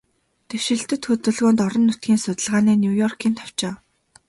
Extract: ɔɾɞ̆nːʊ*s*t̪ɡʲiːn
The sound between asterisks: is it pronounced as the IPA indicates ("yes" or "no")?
no